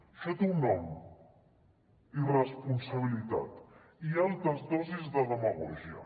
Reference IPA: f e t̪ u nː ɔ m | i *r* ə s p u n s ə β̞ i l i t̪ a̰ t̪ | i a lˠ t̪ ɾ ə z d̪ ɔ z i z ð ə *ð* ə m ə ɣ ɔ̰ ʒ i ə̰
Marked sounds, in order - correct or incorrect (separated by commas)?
correct, correct